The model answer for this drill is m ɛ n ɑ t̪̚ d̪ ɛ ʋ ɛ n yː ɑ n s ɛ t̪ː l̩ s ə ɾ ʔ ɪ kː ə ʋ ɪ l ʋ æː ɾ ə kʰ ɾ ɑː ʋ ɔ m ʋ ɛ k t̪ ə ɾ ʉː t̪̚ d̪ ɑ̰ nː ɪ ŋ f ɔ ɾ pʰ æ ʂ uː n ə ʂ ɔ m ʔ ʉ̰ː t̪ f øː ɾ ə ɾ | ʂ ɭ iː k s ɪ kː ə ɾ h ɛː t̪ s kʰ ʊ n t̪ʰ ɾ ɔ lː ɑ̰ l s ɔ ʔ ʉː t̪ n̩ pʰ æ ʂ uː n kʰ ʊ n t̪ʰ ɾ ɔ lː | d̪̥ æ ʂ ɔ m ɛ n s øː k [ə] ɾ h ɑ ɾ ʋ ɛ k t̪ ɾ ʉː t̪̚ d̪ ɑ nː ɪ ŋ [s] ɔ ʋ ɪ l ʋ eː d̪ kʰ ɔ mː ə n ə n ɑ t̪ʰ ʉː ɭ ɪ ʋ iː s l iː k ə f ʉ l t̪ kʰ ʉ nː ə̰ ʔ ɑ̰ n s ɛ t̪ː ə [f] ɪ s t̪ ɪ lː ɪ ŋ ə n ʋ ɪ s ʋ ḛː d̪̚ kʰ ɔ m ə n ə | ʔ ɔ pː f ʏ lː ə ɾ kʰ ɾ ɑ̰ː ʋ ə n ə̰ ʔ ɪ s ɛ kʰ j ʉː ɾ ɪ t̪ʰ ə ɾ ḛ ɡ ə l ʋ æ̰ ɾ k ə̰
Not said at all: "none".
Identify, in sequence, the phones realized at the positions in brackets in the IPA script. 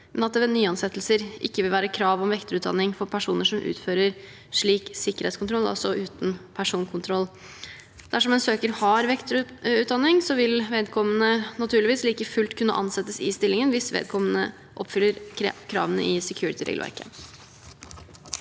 ə, s, s

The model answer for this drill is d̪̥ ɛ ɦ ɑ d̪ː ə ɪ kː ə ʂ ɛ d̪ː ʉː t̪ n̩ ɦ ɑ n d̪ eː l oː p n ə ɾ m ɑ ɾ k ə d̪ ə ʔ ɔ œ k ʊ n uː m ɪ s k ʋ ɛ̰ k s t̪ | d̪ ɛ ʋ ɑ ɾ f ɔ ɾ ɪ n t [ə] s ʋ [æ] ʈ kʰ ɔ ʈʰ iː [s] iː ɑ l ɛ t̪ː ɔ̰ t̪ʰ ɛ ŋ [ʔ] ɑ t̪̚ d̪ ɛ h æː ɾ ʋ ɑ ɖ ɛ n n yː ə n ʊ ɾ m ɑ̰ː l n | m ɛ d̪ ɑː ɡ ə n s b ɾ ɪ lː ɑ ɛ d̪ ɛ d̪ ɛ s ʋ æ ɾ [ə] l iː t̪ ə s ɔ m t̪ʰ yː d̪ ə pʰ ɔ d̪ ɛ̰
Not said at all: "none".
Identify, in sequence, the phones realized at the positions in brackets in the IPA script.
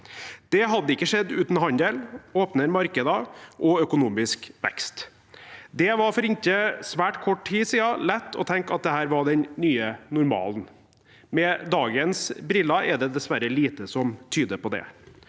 ə, æː, s, k, ə

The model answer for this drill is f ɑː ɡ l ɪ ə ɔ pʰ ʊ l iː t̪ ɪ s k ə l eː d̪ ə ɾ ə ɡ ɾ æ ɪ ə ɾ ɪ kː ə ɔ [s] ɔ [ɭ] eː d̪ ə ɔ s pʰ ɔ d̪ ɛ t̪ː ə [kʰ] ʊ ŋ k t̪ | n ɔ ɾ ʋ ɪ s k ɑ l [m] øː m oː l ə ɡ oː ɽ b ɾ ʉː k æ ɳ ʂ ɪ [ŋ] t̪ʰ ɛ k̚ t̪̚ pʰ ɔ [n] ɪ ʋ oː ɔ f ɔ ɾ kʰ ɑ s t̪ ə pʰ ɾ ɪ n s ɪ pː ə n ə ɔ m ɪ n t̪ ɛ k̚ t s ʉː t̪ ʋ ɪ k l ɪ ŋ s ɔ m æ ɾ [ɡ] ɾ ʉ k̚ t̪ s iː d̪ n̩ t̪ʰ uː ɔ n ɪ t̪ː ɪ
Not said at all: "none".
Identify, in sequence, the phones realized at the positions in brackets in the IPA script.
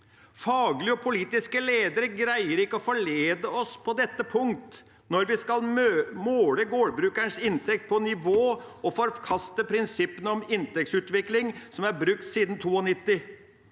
f, ɭ, pʰ, m, n, n, b

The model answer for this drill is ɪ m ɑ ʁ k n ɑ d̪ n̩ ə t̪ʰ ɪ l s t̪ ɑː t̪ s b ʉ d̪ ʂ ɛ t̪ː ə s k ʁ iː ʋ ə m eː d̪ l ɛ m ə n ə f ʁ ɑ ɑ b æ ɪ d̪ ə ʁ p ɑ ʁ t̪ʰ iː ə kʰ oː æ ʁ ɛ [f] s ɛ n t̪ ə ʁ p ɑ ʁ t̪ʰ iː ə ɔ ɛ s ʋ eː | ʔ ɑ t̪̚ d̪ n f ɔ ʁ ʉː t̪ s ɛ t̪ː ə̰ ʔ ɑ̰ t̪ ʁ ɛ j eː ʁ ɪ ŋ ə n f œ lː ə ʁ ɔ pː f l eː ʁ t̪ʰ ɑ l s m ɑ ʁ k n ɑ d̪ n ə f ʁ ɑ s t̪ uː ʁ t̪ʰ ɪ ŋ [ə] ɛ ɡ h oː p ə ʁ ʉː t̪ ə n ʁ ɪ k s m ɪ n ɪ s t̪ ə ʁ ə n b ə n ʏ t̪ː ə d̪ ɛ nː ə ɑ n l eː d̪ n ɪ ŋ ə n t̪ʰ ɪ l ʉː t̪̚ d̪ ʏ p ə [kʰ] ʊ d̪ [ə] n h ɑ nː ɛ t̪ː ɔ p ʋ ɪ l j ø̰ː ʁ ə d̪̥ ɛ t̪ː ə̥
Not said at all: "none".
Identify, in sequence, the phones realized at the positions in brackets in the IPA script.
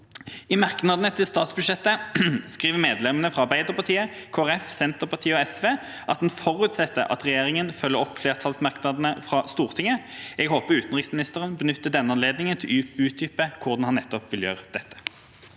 f, ə, kʰ, ɑ

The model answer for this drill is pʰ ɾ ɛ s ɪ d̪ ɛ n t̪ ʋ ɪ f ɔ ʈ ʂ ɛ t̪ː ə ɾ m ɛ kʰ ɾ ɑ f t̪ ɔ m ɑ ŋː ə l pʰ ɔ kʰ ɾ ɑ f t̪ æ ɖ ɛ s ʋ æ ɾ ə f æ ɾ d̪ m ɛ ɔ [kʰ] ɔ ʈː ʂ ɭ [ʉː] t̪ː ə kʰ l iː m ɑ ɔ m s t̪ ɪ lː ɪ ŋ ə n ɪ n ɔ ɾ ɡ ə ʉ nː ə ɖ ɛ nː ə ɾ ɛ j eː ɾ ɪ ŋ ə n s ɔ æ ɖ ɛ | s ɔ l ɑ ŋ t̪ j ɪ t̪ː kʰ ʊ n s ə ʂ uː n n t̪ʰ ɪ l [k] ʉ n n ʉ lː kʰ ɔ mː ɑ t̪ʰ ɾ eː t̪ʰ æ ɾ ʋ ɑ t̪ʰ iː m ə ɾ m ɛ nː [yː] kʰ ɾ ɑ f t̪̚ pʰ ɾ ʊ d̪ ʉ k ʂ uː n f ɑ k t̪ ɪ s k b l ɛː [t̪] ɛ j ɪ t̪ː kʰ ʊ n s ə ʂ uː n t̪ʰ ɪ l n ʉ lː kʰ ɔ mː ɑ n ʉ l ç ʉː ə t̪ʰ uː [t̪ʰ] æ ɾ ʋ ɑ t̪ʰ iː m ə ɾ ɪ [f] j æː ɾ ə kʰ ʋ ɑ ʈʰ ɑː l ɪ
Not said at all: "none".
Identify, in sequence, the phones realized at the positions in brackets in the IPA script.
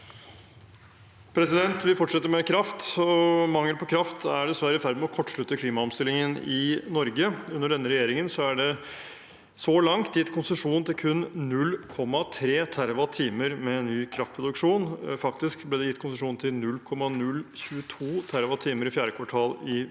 kʰ, ʉ, kʰ, yː, d̪, t̪ʰ, f

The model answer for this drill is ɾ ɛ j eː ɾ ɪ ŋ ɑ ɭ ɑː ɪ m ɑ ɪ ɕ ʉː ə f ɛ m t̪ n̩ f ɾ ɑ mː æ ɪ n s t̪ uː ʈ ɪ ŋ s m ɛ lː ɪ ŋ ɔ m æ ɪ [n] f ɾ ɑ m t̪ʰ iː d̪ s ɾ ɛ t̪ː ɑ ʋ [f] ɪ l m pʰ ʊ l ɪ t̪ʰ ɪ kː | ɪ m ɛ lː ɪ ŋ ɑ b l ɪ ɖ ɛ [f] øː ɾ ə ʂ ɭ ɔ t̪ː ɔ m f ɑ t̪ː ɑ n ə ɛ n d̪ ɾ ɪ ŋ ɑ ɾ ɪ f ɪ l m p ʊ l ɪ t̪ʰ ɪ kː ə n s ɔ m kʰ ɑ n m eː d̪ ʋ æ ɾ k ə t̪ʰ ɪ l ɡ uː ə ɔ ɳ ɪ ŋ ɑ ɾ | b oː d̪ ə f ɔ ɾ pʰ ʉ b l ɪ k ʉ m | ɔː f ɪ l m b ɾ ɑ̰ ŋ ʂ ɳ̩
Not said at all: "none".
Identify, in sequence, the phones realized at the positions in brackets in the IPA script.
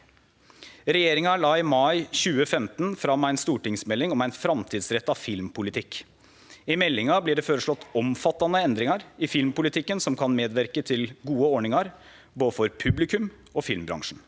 n, f, f

